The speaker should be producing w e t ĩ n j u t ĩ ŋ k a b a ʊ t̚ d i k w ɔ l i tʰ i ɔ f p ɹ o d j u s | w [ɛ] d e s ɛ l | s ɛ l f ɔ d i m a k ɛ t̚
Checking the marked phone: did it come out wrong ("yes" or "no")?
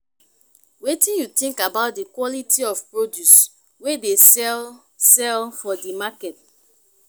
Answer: yes